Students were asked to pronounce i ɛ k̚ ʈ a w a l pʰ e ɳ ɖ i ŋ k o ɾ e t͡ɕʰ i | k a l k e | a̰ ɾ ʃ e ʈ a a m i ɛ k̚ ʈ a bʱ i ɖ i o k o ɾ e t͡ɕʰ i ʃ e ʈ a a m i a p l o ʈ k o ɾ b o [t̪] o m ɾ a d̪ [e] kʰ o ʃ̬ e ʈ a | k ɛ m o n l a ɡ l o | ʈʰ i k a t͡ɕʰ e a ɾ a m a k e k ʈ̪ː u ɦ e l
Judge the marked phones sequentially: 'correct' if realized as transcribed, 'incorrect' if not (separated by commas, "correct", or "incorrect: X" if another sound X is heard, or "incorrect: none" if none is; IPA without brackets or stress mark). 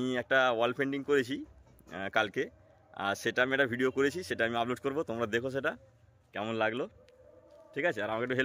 correct, correct